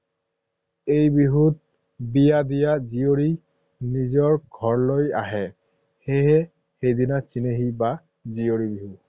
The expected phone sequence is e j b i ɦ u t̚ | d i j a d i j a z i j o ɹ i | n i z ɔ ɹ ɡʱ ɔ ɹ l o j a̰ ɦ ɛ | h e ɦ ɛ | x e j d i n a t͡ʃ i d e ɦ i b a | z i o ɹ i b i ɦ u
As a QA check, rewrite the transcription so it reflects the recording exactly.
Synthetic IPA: e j b i ɦ u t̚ | b i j a d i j a z i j o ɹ i | n i z ɔ ɹ ɡʱ ɔ ɹ l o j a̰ ɦ ɛ | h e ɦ ɛ | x e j d i n a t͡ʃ i n e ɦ i b a | z i o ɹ i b i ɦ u